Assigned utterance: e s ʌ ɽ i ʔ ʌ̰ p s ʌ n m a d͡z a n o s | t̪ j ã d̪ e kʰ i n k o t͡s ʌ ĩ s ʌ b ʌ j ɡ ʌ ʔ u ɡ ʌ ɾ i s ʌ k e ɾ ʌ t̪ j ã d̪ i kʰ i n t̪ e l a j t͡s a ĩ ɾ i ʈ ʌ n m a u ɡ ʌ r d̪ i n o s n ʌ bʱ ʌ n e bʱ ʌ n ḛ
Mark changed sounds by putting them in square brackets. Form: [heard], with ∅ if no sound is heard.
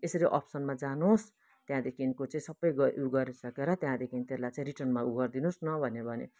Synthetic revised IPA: e s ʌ [ɾ] i ʔ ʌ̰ p s ʌ n m a d͡z a n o s | t̪ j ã d̪ e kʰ i n k o t͡s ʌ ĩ s ʌ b ʌ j ɡ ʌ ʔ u ɡ ʌ ɾ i s ʌ k e ɾ ʌ t̪ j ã d̪ [e] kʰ i n t̪ e l a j t͡s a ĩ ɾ i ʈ ʌ n m a u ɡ ʌ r d̪ i n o s n ʌ bʱ ʌ n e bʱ ʌ n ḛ